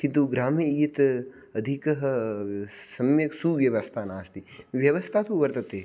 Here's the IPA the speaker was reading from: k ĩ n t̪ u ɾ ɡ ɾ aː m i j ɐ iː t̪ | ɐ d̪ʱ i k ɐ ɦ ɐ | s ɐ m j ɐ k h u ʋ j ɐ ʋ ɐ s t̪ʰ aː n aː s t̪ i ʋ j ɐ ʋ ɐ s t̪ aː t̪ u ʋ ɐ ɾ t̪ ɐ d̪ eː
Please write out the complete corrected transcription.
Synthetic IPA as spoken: k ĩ n t̪ u ɡ ɾ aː m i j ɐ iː t̪ | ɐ d̪ʱ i k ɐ ɦ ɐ | s ɐ m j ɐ k s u ʋ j ɐ ʋ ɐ s t̪ʰ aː n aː s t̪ i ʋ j ɐ ʋ ɐ s t̪ʰ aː t̪ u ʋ ɐ ɾ t̪ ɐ t̪ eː